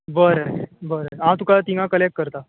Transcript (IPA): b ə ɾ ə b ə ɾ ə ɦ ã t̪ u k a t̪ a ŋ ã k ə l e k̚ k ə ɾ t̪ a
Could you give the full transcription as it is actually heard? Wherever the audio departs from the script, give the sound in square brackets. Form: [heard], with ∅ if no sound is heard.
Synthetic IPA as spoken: b ə ɾ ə b ə ɾ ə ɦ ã t̪ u k a t̪ [i] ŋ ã k ə l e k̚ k ə ɾ t̪ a